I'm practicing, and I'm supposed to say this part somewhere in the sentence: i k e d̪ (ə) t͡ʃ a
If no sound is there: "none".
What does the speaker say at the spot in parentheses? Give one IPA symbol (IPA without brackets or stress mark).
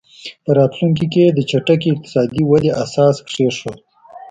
ə